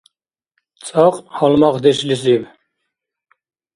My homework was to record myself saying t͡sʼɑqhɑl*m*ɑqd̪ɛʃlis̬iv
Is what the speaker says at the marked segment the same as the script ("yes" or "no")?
yes